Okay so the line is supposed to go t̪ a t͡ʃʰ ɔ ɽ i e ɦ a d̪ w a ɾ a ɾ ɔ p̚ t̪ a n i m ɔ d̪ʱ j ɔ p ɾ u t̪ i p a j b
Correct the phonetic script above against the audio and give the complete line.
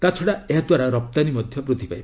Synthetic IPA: t̪ a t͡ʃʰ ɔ ɽ a e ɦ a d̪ w a ɾ a ɾ ɔ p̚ t̪ a n i m ɔ d̪ʱ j ɔ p ɾ u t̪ i p a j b